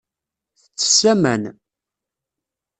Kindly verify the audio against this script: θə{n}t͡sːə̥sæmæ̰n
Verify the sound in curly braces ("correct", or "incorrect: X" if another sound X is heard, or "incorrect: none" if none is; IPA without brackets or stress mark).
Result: incorrect: none